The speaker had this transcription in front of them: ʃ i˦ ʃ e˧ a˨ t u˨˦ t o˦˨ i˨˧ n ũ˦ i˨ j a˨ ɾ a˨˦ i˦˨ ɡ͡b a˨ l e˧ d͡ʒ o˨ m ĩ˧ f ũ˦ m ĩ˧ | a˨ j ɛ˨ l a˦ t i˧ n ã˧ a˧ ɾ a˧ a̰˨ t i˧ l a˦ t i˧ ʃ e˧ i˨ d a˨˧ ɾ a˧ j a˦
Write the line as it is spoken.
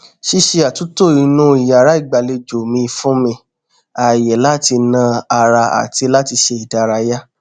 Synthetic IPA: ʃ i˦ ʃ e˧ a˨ t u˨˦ t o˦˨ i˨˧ n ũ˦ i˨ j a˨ ɾ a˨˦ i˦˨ ɡ͡b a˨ l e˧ d͡ʒ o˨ m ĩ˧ f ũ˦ m ĩ˧ | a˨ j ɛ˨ l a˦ t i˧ n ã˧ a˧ ɾ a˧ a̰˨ t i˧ l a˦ t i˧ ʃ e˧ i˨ d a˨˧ ɾ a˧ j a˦